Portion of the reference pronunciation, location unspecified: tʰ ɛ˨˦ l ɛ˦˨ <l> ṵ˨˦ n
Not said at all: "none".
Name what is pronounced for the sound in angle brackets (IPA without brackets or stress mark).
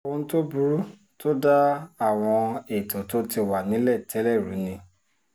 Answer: ɾ